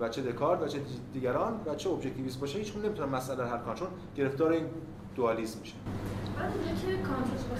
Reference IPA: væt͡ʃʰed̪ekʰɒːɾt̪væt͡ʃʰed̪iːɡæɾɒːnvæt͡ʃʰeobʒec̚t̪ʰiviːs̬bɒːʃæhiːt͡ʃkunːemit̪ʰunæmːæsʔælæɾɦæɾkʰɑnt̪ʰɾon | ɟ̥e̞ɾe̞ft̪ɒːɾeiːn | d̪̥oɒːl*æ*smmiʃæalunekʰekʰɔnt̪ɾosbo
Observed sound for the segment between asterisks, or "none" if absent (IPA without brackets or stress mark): i